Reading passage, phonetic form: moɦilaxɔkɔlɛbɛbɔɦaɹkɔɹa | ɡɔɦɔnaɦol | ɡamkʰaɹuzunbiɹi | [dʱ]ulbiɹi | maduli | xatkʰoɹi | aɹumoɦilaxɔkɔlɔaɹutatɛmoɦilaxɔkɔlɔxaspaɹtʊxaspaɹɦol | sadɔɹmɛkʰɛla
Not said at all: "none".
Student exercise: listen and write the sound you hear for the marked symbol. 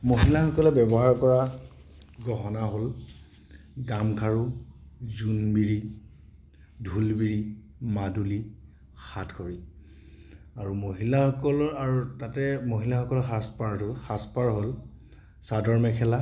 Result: dʱ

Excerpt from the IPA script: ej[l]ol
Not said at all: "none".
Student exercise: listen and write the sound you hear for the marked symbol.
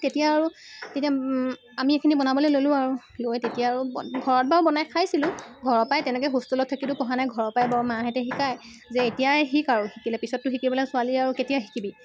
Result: l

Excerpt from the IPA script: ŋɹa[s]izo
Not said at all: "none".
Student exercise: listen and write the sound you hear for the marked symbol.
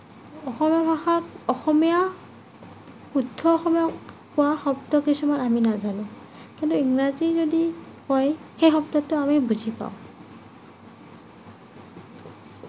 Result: z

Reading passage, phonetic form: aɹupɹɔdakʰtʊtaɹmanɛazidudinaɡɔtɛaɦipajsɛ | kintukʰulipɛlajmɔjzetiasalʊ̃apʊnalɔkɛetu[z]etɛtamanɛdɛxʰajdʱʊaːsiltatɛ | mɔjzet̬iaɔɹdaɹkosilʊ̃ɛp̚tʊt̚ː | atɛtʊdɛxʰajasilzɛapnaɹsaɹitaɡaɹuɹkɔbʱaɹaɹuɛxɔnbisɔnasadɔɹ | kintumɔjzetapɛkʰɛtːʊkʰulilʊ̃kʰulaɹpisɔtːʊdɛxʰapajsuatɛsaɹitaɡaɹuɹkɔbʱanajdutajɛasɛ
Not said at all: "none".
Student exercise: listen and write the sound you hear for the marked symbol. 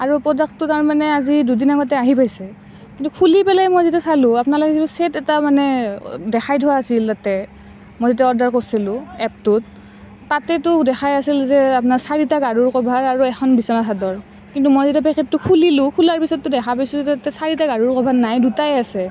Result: s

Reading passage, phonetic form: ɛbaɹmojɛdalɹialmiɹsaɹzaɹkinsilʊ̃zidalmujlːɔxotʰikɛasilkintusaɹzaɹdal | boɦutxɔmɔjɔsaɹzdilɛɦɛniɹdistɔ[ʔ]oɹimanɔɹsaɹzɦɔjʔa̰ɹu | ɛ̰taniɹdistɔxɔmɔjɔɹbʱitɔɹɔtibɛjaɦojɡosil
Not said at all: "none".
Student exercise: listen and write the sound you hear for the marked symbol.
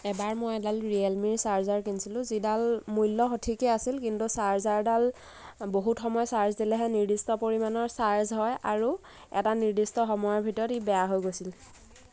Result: p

